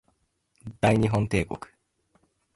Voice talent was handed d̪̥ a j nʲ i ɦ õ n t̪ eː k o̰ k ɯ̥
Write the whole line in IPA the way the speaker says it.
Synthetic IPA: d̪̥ a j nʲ i ɦ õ n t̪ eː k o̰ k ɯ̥